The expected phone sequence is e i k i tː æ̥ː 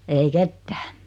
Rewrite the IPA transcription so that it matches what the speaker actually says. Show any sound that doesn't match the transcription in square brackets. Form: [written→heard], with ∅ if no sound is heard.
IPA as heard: e i k [i→e] tː æ̥ː